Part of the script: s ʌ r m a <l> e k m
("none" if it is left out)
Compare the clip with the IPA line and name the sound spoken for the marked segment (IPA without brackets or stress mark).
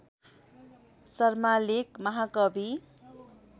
l